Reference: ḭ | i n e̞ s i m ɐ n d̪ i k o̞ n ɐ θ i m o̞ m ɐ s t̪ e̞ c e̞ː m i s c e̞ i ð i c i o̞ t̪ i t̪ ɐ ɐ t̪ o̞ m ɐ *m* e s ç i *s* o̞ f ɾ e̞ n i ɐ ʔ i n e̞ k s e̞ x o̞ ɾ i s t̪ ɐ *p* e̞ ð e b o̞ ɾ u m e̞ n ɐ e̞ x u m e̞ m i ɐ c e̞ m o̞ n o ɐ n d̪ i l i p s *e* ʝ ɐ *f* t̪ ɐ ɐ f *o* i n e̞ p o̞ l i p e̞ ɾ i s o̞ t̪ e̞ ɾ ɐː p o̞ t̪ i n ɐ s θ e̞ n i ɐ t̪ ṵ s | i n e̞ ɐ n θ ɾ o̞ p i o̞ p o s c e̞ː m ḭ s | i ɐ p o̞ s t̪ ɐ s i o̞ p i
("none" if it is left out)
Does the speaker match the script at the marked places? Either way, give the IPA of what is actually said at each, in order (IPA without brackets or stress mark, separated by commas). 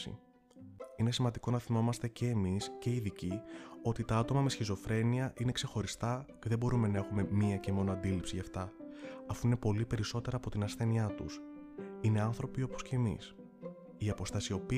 m, z, c, i, f, u